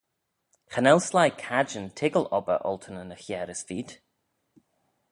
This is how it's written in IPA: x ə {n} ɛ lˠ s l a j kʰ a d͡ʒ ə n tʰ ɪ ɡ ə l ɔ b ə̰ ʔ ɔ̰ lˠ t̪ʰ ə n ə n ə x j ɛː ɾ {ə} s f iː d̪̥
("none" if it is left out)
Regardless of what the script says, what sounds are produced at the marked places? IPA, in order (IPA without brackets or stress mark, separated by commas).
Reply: n, ə